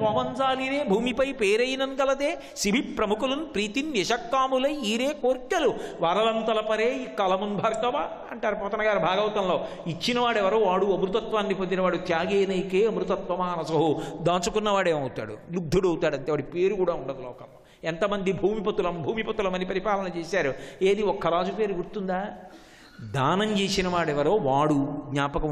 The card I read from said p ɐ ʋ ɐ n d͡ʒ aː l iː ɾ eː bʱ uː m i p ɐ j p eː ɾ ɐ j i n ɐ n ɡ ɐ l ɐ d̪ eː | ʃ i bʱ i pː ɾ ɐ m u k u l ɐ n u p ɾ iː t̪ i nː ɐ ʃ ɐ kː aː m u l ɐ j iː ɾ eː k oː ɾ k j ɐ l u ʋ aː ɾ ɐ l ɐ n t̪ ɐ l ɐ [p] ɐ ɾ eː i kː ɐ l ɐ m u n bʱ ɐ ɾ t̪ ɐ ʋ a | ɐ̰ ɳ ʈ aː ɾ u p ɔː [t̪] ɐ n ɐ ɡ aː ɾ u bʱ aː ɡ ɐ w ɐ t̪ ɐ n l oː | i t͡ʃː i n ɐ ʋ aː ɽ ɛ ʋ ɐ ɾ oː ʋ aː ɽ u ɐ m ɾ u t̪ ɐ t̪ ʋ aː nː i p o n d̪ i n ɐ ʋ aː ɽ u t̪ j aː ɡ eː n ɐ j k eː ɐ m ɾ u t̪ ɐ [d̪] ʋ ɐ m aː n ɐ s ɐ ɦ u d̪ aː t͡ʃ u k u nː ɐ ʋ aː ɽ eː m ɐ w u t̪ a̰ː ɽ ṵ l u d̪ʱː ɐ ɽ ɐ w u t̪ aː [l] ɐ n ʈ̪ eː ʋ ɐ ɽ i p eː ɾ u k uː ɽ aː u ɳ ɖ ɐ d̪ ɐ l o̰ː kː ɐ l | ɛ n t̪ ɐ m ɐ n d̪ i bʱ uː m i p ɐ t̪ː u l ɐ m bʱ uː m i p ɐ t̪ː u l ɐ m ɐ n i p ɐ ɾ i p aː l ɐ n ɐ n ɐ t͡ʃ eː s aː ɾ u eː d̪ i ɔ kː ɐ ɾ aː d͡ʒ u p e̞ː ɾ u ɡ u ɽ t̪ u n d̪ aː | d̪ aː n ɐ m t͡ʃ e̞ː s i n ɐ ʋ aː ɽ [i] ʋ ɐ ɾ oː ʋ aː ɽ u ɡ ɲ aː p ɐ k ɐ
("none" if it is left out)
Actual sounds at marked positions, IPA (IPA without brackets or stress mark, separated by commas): p, t̪, t̪, ɽ, ɛ